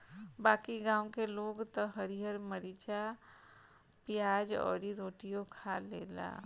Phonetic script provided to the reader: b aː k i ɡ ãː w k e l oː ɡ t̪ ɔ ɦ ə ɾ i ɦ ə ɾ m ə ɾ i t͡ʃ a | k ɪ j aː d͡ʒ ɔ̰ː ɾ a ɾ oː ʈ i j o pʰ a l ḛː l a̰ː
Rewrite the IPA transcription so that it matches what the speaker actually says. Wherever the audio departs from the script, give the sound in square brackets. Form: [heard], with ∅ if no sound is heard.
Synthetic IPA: b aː k i ɡ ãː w k e l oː ɡ t̪ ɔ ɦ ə ɾ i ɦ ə ɾ m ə ɾ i t͡ʃ a | [p] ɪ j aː d͡ʒ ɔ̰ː ɾ [i] ɾ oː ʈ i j o [kʰ] a l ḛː l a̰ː